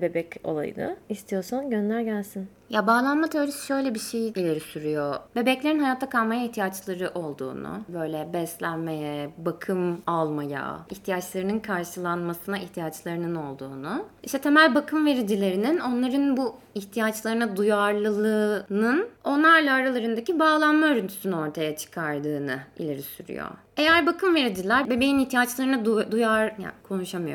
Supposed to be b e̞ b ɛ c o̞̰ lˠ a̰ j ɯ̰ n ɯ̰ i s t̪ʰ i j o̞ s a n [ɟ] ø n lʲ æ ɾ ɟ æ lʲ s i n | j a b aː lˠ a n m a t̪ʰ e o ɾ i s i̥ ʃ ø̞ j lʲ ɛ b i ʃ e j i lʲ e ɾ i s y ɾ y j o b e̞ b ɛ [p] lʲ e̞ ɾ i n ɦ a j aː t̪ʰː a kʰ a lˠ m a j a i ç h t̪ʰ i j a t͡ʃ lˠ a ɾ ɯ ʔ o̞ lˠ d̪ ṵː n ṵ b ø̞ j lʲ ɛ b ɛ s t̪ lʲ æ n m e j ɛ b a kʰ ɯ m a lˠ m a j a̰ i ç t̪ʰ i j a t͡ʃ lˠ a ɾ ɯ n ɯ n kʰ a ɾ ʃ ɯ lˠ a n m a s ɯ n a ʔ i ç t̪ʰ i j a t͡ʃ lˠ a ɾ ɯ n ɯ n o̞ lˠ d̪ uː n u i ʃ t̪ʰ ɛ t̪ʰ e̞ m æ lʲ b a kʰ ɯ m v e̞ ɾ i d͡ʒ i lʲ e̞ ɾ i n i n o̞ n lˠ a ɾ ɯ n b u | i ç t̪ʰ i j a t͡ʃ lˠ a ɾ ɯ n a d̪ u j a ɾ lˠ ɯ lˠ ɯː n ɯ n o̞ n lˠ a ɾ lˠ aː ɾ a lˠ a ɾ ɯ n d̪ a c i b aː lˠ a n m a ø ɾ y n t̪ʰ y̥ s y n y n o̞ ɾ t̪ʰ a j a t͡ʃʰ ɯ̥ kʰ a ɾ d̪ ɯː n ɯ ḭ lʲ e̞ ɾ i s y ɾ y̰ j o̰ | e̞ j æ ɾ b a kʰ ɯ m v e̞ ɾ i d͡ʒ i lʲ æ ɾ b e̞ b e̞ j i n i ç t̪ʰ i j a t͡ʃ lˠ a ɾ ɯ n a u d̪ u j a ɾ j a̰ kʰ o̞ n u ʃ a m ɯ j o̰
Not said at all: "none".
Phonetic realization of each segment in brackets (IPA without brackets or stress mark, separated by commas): ɟ, c